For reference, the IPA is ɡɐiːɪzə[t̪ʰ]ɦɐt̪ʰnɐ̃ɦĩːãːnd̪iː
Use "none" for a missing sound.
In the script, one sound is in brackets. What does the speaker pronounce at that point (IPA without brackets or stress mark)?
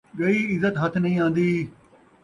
t̪